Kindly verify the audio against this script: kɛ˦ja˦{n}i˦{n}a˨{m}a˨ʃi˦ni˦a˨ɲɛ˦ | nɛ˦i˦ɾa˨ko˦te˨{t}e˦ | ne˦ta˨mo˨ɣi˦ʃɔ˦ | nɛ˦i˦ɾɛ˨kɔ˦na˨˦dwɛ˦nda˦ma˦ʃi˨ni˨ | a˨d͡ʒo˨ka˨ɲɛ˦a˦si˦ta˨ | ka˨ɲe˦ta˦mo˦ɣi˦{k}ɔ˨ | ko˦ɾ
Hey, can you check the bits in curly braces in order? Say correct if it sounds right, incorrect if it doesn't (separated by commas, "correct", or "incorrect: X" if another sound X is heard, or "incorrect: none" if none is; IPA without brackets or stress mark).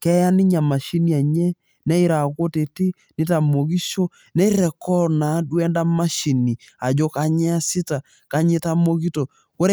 correct, incorrect: ɲ, correct, correct, incorrect: t